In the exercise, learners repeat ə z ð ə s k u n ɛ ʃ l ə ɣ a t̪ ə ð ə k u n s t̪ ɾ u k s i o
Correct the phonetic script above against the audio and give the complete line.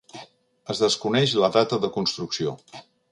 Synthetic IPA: ə z ð ə s k u n ɛ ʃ l ə ð a t̪ ə ð ə k u n s t̪ ɾ u k s i o